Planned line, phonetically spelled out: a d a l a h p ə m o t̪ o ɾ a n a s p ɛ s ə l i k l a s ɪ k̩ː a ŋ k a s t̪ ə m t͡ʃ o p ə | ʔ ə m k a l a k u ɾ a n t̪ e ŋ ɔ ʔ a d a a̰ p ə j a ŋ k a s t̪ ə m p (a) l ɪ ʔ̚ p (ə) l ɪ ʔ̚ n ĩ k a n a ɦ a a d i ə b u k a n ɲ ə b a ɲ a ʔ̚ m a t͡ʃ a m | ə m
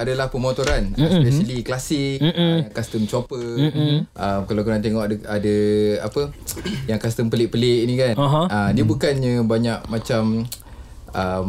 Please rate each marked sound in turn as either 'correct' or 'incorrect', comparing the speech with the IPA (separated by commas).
incorrect, correct